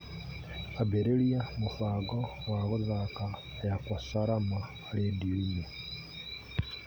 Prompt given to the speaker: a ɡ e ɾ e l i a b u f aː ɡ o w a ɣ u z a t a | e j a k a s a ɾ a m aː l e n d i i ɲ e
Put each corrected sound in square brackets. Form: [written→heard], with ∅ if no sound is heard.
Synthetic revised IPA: a [ɡ→b] e ɾ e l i a [b→m] u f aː ɡ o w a ɣ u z a [t→k] a | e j a k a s a ɾ a m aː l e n d i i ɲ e